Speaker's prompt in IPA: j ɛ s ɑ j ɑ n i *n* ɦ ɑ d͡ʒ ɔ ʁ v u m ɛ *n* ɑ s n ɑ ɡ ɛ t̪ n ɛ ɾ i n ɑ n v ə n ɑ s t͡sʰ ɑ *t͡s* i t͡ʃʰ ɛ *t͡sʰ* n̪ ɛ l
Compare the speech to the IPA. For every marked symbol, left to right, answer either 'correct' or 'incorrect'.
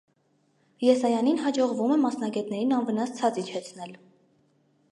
correct, incorrect, correct, correct

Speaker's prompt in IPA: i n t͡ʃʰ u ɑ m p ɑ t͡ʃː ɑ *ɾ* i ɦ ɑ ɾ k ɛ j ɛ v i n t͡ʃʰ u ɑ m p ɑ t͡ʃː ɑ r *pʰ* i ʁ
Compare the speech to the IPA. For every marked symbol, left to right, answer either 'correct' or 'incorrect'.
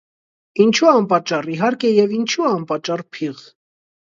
incorrect, correct

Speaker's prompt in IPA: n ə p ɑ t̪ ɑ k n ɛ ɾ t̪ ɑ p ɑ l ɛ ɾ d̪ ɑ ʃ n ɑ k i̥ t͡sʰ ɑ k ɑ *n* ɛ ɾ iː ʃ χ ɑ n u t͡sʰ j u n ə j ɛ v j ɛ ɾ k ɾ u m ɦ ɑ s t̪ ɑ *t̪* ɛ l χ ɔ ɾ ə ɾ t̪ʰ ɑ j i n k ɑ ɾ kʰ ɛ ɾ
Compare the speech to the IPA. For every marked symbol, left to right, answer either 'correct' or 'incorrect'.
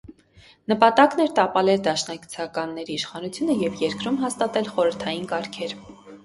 incorrect, correct

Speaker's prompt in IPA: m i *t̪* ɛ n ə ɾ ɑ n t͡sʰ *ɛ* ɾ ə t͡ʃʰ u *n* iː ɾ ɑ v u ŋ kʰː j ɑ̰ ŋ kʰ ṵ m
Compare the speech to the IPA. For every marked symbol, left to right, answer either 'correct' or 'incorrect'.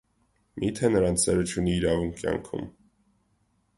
incorrect, correct, correct

